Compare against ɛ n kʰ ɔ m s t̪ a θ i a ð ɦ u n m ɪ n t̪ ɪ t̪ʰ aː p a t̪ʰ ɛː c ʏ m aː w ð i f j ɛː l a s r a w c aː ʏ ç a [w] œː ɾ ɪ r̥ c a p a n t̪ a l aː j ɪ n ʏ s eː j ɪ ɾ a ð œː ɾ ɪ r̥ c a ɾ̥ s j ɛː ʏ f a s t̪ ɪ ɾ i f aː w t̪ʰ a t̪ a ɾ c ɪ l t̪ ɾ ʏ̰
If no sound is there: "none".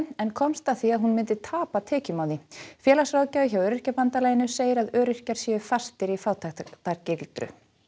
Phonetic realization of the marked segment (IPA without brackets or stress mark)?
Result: w